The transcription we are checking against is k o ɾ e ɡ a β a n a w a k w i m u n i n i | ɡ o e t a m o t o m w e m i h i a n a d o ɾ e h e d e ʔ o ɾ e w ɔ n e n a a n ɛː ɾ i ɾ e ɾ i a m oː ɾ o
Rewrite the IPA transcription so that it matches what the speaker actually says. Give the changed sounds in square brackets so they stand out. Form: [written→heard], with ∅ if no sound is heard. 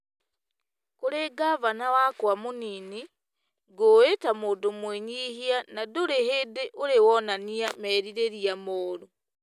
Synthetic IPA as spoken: k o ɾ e ɡ a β a n a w a k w [i→a] m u n i n i | ɡ o e t a m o [t→d] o m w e [m→ɲ] i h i a n a d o ɾ e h e d e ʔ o ɾ e w ɔ n [e→a] n [a→i] a [n→m] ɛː ɾ i ɾ e ɾ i a m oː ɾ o

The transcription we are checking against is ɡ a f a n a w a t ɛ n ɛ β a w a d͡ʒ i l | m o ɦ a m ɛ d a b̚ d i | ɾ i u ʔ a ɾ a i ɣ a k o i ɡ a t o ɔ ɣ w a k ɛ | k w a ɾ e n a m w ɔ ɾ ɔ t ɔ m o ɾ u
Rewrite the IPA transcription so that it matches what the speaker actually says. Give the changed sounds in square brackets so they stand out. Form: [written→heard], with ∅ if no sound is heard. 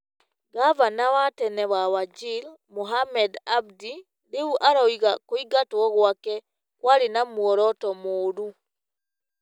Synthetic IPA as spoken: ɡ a [f→v] a n a w a t ɛ n ɛ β a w a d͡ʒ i l | m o ɦ a m ɛ d a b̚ d i | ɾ [i→e] u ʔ a ɾ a i ɣ a k o i ɡ a t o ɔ ɣ w a k ɛ | k w a ɾ e n a m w ɔ ɾ ɔ t ɔ m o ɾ u

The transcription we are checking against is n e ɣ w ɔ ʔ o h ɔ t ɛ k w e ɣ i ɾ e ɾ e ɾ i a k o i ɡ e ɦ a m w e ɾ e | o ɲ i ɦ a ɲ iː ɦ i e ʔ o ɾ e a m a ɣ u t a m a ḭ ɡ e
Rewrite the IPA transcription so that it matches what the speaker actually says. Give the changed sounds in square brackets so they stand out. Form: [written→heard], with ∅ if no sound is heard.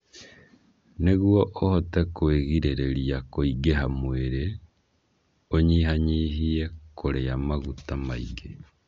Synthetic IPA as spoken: n e ɣ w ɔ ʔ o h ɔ t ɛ k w e ɣ i ɾ e ɾ e ɾ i a k o i ɡ e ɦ a m w e ɾ e | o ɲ i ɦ a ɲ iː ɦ i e [ʔ→k] o ɾ e a m a ɣ u t a m a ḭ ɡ e

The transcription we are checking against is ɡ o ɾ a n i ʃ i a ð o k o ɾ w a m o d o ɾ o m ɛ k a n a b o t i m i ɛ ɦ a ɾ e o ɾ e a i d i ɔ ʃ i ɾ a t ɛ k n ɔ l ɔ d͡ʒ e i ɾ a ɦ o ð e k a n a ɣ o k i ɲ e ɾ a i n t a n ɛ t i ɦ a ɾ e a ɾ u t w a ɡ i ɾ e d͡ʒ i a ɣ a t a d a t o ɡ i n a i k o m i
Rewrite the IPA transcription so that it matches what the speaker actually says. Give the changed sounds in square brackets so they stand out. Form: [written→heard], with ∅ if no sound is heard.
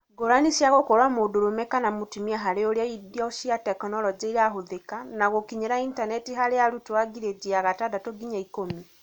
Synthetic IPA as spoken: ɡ o ɾ a n i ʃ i a [ð→ɣ] o k o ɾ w a m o d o ɾ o m ɛ k a n a [b→m] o t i m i [ɛ→a] ɦ a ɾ e o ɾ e a i d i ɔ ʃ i [ɾ→∅] a t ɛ k n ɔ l ɔ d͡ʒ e i ɾ a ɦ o ð e k a n a ɣ o k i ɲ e ɾ a i n t a n ɛ t i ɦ a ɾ e a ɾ u t w a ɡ i ɾ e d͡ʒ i a ɣ a t a d a t o ɡ i [n→ɲ] a i k o m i

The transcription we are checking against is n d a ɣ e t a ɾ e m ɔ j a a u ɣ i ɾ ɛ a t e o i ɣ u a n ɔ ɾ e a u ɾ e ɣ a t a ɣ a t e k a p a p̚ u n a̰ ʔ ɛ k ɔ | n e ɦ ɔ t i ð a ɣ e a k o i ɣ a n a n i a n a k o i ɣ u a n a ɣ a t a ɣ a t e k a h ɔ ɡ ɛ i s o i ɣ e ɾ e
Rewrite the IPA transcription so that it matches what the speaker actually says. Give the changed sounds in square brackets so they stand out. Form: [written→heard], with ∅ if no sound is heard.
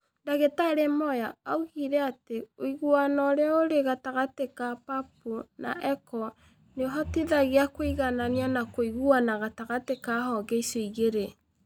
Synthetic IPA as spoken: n d a ɣ e t a ɾ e m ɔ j a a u ɣ i ɾ ɛ a t e o i ɣ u a n ɔ ɾ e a [u→o] ɾ e ɣ a t a ɣ a t e k a p a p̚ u n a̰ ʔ ɛ k ɔ | n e ɦ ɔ t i ð a ɣ e a k o i ɣ a n a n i a n a k o i ɣ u a n a ɣ a t a ɣ a t e k a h ɔ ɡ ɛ i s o i ɣ e ɾ e

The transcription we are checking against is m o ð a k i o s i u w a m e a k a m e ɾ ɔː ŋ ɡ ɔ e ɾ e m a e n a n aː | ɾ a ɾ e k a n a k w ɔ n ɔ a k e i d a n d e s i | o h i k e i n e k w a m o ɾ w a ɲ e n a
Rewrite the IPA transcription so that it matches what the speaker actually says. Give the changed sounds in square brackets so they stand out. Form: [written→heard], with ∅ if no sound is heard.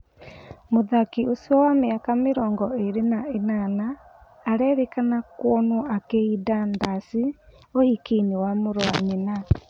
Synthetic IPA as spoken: m o ð a k i o s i [u→ɔ] w a m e a k a m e ɾ ɔː ŋ ɡ ɔ e ɾ e [m→n] a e n a n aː | ɾ [a→ɛ] ɾ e k a n a k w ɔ n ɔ a k e i d a n d [e→a] s i | o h i k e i n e [k→∅] w a m o ɾ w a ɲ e n a

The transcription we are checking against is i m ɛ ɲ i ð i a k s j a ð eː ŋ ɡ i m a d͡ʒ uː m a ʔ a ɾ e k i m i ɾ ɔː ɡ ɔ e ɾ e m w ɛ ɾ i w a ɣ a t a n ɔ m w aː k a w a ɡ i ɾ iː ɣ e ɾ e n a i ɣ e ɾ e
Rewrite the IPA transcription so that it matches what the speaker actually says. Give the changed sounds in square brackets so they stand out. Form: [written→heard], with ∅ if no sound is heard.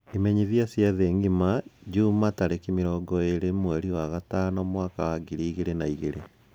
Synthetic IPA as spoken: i m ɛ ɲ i ð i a [k→∅] s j a ð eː ŋ ɡ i m a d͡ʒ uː m a [ʔ→t] a ɾ e k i m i ɾ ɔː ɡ ɔ e ɾ e m w ɛ ɾ i w a ɣ a t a n ɔ m w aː k a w a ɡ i ɾ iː ɣ e ɾ e n a i ɣ e ɾ e

